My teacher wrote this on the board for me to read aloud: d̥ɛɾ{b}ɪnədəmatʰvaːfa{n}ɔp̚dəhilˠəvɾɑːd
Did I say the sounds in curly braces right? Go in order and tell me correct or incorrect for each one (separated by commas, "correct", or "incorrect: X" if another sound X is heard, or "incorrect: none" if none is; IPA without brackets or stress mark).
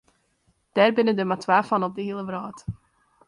correct, correct